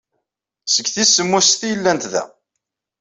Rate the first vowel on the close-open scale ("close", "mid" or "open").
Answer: mid